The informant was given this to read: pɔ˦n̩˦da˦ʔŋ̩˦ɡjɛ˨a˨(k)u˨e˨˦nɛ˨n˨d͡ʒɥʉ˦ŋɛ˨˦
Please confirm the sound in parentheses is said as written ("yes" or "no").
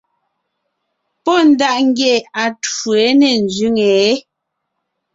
no